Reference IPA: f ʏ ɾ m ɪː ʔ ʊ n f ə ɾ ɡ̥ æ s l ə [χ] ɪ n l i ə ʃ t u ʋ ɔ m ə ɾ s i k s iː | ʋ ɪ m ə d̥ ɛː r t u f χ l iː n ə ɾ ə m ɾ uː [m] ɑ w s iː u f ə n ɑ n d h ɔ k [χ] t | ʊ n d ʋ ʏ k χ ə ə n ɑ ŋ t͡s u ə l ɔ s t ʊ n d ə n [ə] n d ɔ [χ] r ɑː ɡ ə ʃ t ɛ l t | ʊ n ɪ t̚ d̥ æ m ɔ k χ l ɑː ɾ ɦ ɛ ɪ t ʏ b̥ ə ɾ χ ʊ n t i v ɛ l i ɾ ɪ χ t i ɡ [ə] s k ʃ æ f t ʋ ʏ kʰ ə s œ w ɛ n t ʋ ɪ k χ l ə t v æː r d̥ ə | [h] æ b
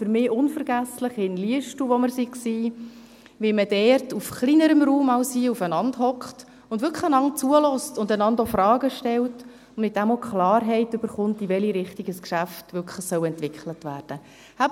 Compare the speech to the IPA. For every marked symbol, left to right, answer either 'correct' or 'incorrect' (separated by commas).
correct, correct, correct, incorrect, incorrect, correct, correct